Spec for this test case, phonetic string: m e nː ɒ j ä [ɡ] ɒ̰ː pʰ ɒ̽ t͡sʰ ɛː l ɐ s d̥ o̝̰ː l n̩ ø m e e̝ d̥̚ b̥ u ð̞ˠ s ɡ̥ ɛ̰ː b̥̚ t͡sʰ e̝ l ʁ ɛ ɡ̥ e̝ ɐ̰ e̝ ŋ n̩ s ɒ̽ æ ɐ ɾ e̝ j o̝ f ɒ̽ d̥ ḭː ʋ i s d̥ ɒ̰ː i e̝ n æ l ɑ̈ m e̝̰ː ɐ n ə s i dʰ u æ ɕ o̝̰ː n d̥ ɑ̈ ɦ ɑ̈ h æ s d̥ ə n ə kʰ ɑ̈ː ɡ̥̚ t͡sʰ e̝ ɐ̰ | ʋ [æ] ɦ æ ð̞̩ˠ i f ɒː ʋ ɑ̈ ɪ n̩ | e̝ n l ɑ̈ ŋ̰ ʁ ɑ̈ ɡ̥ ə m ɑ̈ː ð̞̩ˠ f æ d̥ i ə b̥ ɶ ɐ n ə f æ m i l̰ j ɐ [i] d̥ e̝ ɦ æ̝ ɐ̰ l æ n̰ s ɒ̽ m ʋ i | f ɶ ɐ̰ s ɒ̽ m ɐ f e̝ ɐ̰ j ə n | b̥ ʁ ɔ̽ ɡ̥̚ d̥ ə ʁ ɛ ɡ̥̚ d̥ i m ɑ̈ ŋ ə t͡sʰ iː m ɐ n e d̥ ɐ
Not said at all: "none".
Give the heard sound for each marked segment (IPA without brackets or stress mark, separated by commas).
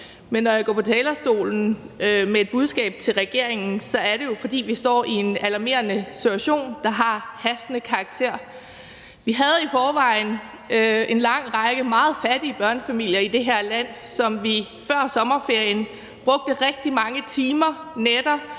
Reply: ɡ, i, i